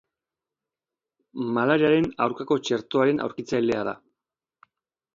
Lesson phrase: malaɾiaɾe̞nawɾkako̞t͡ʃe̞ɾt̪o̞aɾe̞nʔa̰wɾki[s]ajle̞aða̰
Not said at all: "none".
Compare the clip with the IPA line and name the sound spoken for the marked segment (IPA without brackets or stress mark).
t͡s